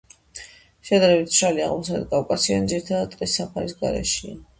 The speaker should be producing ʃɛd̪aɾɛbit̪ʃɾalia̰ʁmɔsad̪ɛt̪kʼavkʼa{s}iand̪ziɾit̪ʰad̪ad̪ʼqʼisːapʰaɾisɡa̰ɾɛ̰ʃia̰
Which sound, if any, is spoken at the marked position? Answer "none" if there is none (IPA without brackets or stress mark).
s